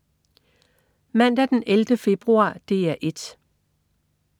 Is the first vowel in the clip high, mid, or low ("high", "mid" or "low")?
low